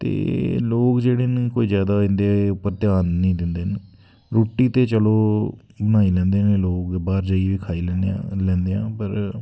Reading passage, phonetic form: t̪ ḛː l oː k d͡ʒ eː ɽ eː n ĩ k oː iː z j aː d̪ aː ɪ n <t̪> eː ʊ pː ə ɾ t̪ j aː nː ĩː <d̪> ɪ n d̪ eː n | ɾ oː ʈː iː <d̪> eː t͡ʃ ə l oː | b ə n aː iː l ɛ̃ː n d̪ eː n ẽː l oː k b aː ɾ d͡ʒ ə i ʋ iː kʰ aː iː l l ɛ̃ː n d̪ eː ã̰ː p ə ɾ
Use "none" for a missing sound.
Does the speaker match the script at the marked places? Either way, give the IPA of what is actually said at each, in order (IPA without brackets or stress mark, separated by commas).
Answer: d̪, d̪, t̪